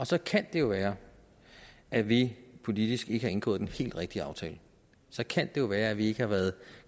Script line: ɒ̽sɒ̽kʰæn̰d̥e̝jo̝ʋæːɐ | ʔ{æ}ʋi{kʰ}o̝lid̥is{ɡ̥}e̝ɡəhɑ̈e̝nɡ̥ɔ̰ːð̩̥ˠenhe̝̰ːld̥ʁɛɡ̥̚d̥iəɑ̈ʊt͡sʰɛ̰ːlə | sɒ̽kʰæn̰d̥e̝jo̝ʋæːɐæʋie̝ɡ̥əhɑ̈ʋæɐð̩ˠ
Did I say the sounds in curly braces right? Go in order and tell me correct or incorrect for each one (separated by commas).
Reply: correct, incorrect, correct